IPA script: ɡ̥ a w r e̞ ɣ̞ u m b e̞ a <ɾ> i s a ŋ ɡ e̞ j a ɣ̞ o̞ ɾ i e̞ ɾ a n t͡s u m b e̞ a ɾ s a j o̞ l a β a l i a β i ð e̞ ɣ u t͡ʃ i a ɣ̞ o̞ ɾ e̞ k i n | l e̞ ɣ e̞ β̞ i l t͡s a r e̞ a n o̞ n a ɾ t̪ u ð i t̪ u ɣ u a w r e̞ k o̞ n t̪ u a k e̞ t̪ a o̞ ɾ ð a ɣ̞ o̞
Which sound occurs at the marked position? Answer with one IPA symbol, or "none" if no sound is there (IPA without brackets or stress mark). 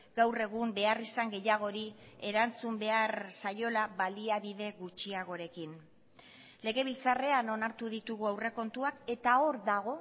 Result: r